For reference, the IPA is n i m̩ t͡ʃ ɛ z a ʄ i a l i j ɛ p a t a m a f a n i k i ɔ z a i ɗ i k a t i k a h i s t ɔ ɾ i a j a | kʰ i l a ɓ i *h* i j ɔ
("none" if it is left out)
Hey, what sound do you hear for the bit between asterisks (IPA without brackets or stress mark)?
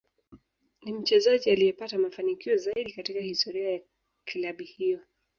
h